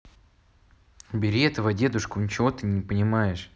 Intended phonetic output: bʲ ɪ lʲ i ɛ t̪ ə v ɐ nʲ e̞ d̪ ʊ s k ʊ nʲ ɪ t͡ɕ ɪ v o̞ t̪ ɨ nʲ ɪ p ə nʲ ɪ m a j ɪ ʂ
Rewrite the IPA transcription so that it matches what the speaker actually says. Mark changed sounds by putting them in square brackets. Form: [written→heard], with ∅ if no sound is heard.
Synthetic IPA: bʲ ɪ [lʲ→ɾʲ] i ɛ t̪ ə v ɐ [nʲ→dʲ] e̞ d̪ ʊ [s→ʂ] k ʊ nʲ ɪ t͡ɕ ɪ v o̞ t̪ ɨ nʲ ɪ p ə nʲ ɪ m a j ɪ ʂ